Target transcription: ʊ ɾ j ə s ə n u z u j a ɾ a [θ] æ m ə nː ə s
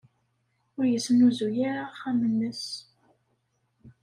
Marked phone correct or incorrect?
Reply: incorrect